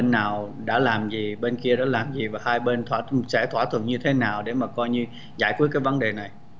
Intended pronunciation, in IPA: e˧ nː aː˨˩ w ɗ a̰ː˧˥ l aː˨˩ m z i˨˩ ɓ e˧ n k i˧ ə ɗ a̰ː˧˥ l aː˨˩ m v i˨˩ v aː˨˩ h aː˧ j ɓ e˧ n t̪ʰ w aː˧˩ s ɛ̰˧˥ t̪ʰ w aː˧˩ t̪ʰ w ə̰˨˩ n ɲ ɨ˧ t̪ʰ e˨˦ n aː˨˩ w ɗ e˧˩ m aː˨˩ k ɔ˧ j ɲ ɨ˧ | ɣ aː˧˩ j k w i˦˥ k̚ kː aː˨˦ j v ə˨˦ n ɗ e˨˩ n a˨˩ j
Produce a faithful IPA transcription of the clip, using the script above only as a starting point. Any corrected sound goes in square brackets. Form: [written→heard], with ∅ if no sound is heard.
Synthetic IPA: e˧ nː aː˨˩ w ɗ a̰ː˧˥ l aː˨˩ m z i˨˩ ɓ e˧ n k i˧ ə ɗ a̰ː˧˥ l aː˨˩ m [v→z] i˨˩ v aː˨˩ h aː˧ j ɓ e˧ n t̪ʰ w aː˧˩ s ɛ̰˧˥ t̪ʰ w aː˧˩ t̪ʰ w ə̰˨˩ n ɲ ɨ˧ t̪ʰ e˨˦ n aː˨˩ w ɗ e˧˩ m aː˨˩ k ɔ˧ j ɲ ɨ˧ | [ɣ→z] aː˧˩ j k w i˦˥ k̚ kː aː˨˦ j v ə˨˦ n ɗ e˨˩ n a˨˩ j

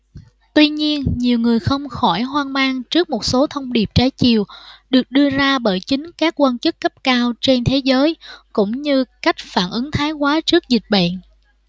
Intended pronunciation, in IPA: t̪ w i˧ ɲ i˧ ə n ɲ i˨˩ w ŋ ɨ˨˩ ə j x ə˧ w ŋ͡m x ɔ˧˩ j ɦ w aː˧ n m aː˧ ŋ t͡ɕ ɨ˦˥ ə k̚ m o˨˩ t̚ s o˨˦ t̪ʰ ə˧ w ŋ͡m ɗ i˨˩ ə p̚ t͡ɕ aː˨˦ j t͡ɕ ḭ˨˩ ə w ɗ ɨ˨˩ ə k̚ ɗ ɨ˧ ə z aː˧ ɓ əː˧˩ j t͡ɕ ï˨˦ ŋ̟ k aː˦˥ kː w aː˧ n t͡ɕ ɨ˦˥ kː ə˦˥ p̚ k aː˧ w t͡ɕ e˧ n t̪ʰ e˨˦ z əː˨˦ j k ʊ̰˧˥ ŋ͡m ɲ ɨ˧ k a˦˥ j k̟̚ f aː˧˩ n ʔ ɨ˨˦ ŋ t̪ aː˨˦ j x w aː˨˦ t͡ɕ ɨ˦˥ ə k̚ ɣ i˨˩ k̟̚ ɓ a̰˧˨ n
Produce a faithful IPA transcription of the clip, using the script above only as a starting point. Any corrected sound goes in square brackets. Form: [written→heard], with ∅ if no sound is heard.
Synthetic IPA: t̪ w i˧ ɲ i˧ ə n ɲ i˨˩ w ŋ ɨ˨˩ ə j x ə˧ w ŋ͡m x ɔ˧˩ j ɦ w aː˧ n m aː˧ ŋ t͡ɕ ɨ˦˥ ə k̚ m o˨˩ t̚ s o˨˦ t̪ʰ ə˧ w ŋ͡m ɗ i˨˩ ə p̚ t͡ɕ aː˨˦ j t͡ɕ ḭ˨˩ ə w ɗ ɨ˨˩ ə k̚ ɗ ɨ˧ ə z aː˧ ɓ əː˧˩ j t͡ɕ ï˨˦ ŋ̟ k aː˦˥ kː w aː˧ n t͡ɕ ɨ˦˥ kː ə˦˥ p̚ k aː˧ w t͡ɕ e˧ n t̪ʰ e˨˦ z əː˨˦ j k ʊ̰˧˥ ŋ͡m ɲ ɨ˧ k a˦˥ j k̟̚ f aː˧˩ n ʔ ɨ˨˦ ŋ [t̪→t̪ʰ] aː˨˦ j [x→k] w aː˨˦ t͡ɕ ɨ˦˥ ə k̚ [ɣ→z] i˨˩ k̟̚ ɓ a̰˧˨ n

